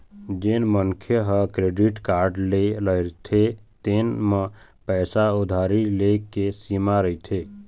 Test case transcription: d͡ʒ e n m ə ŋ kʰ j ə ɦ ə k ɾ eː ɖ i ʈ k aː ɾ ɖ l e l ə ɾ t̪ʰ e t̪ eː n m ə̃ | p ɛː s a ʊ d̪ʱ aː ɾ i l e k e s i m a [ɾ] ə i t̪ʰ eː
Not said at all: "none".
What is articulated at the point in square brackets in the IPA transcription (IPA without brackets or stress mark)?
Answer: ɾ